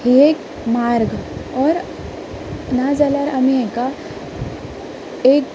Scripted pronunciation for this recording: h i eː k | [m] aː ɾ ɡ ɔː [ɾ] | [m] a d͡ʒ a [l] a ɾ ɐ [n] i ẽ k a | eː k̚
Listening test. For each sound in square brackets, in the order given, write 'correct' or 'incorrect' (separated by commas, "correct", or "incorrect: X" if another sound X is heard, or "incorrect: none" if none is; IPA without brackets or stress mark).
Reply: correct, correct, incorrect: n, correct, incorrect: m